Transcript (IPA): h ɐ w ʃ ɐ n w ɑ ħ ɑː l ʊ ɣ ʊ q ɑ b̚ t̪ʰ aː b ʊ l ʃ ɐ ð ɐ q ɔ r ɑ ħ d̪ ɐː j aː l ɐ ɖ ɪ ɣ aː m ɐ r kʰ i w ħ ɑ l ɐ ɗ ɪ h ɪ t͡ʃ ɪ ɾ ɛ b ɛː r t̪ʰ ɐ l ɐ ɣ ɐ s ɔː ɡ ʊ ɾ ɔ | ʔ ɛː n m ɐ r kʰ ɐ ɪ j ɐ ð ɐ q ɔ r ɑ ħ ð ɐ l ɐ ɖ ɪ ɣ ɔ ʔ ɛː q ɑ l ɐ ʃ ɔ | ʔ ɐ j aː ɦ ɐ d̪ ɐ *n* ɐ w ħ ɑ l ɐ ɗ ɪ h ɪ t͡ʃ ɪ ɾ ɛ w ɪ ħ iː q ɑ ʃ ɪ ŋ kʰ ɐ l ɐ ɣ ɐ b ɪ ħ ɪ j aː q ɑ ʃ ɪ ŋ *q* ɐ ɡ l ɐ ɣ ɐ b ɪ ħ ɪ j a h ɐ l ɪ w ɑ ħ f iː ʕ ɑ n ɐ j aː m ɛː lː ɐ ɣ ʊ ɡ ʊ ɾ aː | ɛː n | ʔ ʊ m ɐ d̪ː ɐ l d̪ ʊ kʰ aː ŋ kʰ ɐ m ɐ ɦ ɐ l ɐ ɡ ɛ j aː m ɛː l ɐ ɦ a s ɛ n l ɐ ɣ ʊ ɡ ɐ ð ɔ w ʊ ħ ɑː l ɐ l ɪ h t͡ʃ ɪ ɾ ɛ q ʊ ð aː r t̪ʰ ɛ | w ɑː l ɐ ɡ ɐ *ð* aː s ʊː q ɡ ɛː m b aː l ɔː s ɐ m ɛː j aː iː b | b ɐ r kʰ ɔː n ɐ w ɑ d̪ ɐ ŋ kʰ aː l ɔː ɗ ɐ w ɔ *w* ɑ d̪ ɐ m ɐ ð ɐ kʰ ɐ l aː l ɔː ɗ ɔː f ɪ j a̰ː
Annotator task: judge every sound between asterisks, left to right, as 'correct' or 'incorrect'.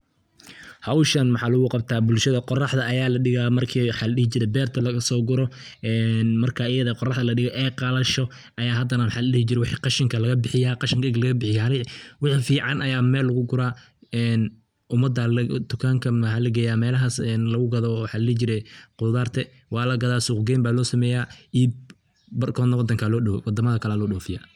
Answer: correct, incorrect: k, correct, correct

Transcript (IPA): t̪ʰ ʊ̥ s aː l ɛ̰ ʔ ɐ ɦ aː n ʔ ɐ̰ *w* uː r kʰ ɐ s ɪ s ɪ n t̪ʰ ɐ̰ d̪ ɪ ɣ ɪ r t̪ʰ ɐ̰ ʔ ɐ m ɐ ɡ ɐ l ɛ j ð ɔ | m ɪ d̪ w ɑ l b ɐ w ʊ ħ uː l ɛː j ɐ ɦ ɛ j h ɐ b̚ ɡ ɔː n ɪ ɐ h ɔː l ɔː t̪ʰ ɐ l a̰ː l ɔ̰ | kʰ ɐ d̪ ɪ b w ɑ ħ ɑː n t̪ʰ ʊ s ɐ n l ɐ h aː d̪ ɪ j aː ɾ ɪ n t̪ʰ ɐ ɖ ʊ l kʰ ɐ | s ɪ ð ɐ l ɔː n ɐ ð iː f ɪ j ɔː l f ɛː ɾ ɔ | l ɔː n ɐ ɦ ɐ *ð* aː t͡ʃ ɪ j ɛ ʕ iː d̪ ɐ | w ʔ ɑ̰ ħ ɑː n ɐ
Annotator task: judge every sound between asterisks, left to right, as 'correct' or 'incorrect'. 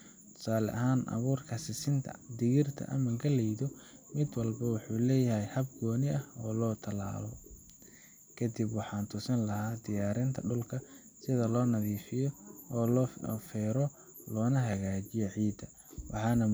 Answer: incorrect: β, incorrect: ɣ

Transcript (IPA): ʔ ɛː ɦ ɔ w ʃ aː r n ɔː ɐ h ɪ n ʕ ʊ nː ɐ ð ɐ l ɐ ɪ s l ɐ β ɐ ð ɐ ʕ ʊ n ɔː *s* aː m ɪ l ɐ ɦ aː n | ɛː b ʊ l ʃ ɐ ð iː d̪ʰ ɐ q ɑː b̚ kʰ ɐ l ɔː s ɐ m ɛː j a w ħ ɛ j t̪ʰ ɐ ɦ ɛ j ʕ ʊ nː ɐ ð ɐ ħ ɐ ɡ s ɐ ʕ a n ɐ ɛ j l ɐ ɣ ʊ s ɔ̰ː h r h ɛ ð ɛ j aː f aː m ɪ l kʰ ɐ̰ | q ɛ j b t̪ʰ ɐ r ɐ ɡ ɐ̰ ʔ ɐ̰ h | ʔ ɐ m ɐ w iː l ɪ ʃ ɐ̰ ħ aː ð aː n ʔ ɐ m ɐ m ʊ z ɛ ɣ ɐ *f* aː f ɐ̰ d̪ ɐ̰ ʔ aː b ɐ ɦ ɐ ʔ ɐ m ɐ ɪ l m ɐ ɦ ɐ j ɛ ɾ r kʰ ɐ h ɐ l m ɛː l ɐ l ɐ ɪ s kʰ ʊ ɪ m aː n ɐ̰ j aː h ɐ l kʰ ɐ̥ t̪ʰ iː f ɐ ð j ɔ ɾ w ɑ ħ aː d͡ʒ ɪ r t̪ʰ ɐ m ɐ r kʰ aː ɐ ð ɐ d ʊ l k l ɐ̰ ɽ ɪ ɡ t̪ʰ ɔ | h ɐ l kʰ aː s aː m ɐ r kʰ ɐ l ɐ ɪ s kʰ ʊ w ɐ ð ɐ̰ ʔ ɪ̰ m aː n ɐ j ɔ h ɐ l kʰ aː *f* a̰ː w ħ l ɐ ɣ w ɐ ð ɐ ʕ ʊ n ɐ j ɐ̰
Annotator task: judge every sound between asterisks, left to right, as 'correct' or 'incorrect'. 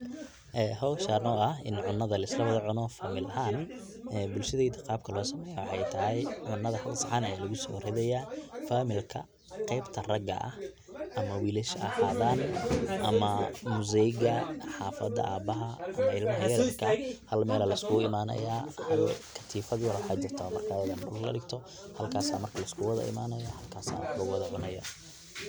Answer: incorrect: f, incorrect: ħ, incorrect: s

